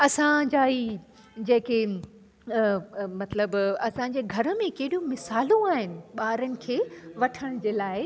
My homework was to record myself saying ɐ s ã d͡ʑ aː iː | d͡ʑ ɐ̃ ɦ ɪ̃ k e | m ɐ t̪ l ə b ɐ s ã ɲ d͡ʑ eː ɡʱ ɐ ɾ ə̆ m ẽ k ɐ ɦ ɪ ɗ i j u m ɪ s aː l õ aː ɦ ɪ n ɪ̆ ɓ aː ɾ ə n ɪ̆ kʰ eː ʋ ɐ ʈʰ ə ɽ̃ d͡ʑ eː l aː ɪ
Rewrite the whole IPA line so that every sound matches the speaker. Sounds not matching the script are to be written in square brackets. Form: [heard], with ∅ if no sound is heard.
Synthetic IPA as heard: ɐ s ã d͡ʑ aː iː | d͡ʑ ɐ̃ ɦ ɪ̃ k e | m ɐ t̪ l ə b ɐ s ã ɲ d͡ʑ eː ɡʱ ɐ ɾ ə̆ m ẽ k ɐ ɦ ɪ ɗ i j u m ɪ s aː l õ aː ɦ ɪ n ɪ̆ ɓ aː ɾ ə n ɪ̆ kʰ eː ʋ ɐ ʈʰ ə ɽ̃ d͡ʑ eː l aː ɪ